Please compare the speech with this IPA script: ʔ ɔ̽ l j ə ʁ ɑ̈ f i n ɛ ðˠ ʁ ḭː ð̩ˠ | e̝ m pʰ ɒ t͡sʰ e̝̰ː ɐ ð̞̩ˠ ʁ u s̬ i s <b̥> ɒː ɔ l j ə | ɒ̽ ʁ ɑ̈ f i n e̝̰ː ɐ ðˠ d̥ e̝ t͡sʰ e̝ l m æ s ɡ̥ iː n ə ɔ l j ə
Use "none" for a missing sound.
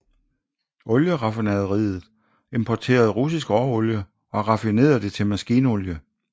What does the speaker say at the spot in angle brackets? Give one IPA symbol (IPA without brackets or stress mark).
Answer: ɡ̥